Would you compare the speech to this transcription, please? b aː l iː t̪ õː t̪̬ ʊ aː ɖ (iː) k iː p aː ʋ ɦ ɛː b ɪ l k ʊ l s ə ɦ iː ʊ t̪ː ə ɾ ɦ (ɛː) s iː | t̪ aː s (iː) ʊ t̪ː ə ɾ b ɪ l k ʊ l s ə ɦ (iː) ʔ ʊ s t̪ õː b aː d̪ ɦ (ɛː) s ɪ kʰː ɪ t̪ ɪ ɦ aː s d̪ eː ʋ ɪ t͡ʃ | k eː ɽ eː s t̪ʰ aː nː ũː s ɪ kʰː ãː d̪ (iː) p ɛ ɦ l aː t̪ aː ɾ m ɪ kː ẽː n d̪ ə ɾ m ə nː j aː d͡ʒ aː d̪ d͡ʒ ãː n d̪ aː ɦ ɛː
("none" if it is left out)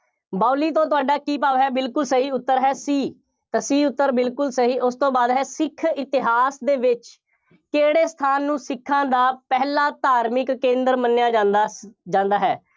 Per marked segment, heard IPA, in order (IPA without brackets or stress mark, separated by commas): aː, ɛː, iː, iː, ɛː, aː